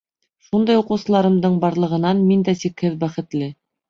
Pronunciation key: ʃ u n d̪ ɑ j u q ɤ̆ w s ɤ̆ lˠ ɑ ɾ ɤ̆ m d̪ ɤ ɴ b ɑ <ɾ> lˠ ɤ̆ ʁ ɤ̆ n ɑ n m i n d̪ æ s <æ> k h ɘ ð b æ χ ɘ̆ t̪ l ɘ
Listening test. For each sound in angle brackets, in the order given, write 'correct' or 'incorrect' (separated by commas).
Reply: correct, incorrect